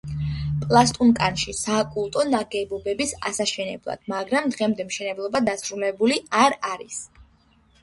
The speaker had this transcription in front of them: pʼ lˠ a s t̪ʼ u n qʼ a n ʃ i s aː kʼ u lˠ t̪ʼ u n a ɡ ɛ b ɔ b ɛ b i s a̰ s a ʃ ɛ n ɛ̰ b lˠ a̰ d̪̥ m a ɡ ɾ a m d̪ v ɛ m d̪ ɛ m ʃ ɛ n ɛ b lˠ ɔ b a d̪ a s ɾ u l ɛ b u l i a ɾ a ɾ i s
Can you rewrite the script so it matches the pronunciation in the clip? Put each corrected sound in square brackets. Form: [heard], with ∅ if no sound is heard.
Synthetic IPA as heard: pʼ lˠ a s t̪ʼ u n [kʼ] a n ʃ i s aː kʼ u lˠ t̪ʼ [ɔ] n a ɡ ɛ b ɔ b ɛ b i s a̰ s a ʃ ɛ n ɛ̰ b lˠ a̰ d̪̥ m a ɡ ɾ a m d̪ [ʁ] ɛ m d̪ ɛ m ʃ ɛ n ɛ b lˠ ɔ b a d̪ a s ɾ u l ɛ b u l i a ɾ a ɾ i s